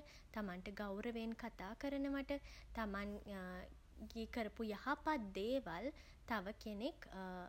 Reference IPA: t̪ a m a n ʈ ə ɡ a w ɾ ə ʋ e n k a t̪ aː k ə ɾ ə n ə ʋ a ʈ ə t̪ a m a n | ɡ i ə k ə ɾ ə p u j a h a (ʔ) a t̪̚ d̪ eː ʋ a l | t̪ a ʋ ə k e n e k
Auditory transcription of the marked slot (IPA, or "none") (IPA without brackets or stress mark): p